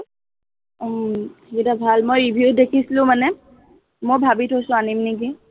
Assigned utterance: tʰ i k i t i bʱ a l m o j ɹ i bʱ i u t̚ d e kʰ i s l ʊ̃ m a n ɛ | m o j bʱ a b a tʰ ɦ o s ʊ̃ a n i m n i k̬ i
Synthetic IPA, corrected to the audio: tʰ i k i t a bʱ a l m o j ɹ i bʱ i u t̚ d e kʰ i s l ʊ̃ m a n ɛ | m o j bʱ a b i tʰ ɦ o s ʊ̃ a n i m n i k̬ i